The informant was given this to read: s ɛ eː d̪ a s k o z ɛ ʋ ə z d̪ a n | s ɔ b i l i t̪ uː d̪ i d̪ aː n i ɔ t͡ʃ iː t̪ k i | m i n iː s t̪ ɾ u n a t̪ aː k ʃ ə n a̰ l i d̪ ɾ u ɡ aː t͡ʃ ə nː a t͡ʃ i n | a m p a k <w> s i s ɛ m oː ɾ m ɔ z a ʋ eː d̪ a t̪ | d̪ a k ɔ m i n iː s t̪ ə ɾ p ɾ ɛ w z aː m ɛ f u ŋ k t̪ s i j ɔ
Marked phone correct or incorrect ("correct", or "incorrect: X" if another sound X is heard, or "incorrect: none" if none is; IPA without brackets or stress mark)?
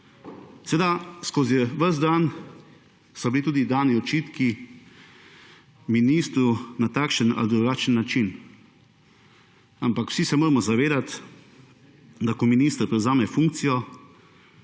correct